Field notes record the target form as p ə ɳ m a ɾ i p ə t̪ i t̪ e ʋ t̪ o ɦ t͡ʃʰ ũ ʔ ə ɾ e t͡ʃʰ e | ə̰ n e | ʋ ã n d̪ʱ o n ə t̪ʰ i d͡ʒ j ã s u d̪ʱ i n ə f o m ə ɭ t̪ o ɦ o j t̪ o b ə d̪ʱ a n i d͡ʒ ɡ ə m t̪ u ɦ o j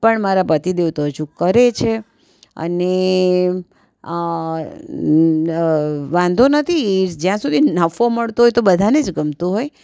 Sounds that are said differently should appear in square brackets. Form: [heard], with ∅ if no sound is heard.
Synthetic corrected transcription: p ə ɳ m a ɾ [a] p ə t̪ i [d̪] e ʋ t̪ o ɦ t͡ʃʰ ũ [k] ə ɾ e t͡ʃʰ e | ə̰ n e | ʋ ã n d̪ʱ o n ə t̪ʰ i d͡ʒ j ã s u d̪ʱ i n ə f o m ə ɭ t̪ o ɦ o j t̪ o b ə d̪ʱ a n [e] d͡ʒ ɡ ə m t̪ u ɦ o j